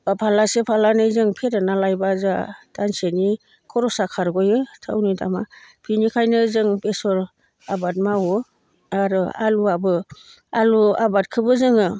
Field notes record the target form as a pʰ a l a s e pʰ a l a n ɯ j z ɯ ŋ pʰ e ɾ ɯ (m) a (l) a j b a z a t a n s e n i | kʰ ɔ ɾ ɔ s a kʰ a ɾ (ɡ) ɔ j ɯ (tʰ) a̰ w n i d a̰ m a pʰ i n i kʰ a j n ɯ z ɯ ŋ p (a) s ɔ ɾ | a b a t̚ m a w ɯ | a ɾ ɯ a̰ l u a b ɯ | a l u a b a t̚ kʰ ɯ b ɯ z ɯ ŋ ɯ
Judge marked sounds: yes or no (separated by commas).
no, yes, yes, yes, no